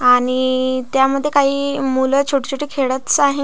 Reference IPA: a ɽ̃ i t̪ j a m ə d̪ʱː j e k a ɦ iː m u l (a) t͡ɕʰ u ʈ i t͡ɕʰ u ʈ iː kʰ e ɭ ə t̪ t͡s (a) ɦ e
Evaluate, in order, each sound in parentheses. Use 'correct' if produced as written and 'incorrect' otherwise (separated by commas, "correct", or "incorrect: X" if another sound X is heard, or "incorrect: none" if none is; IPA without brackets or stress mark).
incorrect: ə, correct